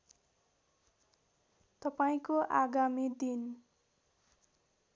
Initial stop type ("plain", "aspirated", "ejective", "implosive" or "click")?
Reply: plain